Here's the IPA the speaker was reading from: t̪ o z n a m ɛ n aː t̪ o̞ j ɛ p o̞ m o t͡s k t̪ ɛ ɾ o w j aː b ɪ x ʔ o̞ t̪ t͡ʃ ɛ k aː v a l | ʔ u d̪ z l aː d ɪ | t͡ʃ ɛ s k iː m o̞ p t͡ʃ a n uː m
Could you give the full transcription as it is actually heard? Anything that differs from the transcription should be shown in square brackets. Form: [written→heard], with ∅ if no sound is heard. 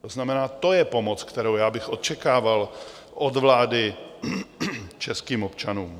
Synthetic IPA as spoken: t̪ o z n a m ɛ n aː t̪ o̞ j ɛ p o̞ m o t͡s k t̪ ɛ ɾ o w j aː b ɪ x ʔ o̞ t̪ t͡ʃ ɛ k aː v a l | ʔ [u→o] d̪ [z→v] l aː d ɪ | t͡ʃ ɛ s k iː m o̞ p t͡ʃ a n uː m